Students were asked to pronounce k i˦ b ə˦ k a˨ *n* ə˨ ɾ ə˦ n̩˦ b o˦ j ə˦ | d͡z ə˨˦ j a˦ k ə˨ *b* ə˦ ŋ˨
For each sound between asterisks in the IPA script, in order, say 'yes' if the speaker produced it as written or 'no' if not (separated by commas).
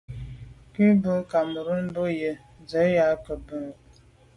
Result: no, yes